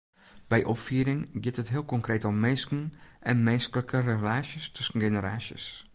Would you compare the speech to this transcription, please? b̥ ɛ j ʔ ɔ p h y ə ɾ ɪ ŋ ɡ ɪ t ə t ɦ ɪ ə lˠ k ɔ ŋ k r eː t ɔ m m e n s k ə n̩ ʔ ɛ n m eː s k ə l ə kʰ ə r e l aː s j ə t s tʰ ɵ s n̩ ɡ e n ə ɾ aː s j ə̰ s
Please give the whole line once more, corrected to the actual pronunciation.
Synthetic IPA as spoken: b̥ ɛ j ʔ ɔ p f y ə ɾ ɪ ŋ ɡ ɪ t ə t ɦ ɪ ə lˠ k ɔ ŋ k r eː t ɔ m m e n s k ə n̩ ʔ ɛ n m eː s k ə l ə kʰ ə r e l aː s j ə s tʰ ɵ s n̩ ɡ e n ə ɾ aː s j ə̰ s